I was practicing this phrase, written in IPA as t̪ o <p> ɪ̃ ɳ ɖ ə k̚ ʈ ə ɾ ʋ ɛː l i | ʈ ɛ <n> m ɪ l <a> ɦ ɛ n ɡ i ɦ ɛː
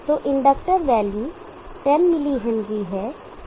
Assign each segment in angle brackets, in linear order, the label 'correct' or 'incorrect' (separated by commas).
incorrect, correct, incorrect